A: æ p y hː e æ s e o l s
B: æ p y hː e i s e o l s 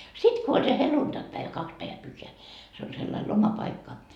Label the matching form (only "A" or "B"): A